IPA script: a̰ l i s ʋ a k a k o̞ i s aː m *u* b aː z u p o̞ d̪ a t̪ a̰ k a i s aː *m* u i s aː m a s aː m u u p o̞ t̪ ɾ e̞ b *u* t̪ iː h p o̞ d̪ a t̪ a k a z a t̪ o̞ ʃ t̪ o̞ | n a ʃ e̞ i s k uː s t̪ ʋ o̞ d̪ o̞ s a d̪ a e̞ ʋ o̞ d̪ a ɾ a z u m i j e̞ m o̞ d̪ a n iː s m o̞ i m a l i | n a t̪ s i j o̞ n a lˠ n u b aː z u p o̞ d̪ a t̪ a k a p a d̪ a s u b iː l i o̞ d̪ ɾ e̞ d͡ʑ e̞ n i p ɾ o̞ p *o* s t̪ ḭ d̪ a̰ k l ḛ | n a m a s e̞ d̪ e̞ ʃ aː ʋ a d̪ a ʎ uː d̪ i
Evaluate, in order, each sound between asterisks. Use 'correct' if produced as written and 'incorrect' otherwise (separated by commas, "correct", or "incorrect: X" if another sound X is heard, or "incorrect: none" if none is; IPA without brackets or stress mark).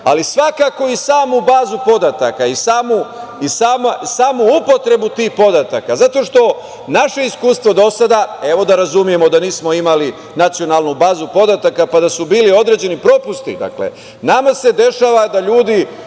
correct, correct, correct, incorrect: u